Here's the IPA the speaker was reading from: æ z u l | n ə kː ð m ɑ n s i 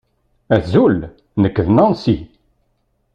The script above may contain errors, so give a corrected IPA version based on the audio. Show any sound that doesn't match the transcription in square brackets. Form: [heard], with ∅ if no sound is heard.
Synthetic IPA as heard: æ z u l | n ə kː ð [n] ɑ n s i